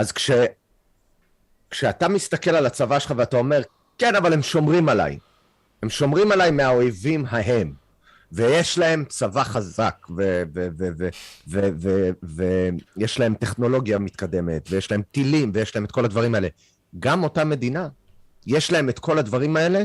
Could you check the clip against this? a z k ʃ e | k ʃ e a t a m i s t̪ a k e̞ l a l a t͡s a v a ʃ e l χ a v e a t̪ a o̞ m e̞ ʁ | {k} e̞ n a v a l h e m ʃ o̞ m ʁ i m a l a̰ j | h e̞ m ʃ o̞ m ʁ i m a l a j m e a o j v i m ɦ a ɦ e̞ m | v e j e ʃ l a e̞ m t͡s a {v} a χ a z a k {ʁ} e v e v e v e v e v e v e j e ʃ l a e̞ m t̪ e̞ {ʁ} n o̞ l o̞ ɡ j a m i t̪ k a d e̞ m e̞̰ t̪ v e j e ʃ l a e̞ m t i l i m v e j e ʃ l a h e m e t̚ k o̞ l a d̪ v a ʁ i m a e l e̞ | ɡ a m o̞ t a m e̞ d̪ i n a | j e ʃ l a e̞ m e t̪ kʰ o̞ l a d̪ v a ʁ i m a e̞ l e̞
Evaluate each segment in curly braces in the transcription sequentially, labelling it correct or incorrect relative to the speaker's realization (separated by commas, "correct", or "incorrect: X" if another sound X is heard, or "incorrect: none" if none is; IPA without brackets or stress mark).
correct, correct, incorrect: v, incorrect: χ